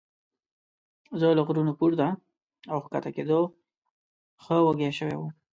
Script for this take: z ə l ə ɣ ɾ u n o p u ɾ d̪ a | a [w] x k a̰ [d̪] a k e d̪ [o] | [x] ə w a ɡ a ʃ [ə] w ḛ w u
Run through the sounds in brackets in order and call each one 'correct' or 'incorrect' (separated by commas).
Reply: correct, incorrect, correct, correct, correct